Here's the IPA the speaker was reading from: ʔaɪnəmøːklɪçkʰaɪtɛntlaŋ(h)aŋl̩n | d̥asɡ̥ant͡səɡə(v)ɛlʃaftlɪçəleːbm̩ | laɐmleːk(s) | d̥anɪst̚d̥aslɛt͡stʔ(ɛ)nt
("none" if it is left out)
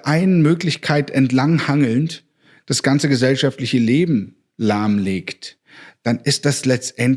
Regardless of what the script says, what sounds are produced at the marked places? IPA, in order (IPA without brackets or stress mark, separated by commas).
h, z, t, ɛ